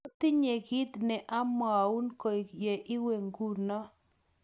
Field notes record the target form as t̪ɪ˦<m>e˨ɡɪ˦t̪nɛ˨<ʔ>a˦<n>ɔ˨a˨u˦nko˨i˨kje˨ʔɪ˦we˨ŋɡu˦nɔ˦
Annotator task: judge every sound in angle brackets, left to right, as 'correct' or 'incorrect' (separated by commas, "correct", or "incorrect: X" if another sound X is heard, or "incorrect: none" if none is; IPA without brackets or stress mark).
incorrect: ɲ, correct, incorrect: m